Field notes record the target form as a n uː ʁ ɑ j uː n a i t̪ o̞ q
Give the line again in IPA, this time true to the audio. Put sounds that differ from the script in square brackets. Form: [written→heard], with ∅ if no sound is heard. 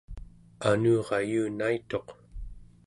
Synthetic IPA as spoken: a n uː ʁ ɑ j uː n a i t̪ o̞ q